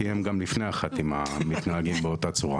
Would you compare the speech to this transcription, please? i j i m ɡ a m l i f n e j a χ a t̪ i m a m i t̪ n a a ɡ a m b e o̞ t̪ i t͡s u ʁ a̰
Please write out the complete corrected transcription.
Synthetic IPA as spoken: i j e m ɡ a m l i f n e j a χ a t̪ i m a m i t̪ n a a ɡ i m b e o̞ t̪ a t͡s u ʁ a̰